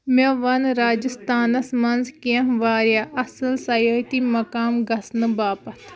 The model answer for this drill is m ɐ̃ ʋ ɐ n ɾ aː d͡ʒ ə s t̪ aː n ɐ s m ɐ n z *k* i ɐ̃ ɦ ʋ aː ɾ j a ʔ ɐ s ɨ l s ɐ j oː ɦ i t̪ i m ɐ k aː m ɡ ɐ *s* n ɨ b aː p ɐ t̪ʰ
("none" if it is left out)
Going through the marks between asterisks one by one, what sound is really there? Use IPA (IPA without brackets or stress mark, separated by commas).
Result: k, s